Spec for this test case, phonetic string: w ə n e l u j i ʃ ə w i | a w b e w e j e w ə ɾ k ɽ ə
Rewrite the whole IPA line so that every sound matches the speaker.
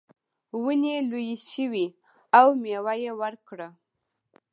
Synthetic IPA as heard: w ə n e l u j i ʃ ə w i | a w m e w a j e w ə ɾ k ɽ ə